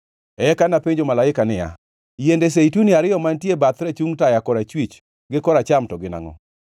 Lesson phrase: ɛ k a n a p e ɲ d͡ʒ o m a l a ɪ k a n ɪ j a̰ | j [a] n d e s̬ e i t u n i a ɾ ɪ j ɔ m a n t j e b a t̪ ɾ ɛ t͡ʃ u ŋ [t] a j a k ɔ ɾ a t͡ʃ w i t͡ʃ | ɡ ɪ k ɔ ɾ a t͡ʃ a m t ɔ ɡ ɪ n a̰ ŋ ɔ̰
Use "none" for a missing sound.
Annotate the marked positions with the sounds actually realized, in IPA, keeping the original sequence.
e, t

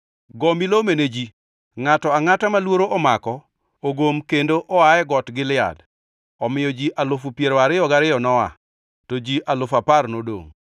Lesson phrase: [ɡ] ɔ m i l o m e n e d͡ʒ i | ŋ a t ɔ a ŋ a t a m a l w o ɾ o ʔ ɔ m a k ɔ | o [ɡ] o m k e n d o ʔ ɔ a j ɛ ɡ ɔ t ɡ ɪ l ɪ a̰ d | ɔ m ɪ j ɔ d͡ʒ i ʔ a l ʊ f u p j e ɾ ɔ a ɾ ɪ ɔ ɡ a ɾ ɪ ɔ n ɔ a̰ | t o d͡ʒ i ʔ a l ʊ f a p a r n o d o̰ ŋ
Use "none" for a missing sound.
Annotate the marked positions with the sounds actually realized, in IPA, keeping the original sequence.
ɡ, ɡ

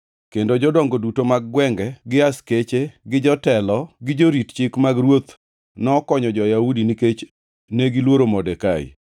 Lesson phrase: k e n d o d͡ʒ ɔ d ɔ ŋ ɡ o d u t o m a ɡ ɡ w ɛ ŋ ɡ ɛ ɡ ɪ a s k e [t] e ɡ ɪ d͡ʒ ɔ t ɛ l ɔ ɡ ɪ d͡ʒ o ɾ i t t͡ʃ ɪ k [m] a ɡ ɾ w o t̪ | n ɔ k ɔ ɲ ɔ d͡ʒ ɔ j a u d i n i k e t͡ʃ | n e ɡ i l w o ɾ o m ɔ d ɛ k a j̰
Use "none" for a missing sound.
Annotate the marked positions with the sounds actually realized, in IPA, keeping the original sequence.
t͡ʃ, m

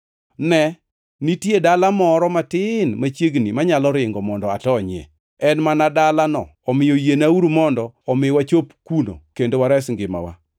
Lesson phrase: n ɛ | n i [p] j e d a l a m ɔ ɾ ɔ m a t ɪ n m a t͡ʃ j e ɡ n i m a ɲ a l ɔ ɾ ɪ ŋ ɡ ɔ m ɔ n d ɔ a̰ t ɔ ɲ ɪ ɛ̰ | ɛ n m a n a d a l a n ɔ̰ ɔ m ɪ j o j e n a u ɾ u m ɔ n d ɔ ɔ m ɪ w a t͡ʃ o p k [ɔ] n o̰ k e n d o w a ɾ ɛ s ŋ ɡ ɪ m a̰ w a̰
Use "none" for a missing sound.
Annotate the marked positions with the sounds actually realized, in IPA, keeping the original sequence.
t, u

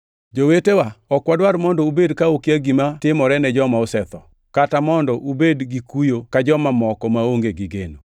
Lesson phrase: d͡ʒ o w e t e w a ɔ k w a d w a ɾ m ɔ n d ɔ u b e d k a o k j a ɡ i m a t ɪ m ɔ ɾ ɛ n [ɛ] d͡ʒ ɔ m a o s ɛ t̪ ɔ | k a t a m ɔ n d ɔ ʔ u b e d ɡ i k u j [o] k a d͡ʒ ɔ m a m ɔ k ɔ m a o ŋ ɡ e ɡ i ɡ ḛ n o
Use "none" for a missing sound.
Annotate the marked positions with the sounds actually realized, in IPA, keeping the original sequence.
ɛ, o

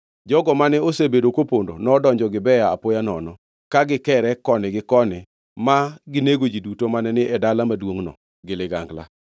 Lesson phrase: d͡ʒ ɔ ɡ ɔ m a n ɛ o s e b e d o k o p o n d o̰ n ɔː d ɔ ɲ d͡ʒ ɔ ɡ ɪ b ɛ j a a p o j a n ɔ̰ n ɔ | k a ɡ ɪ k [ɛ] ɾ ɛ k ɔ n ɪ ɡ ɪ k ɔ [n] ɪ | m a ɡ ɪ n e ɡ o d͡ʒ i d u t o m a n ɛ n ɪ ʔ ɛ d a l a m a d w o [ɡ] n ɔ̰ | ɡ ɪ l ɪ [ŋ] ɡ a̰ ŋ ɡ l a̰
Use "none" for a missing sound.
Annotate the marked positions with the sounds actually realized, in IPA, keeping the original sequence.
ɛ, n, ŋ, none

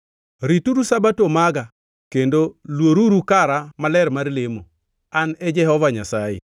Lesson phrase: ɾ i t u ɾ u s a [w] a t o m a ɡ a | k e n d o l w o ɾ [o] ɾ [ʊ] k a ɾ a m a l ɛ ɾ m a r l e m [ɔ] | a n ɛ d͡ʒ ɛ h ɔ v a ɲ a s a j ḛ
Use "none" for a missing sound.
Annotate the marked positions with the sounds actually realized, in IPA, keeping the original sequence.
b, u, u, o

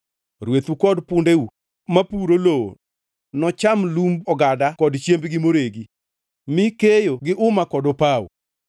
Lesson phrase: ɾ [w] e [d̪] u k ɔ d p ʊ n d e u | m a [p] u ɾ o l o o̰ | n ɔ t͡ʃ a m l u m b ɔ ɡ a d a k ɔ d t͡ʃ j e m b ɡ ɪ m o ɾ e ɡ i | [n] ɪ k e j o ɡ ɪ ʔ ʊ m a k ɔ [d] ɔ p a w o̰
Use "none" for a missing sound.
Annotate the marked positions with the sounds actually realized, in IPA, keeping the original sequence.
w, t̪, p, m, d

